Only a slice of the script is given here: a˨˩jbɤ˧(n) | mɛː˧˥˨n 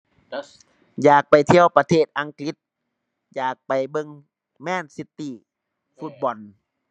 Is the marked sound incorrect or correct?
incorrect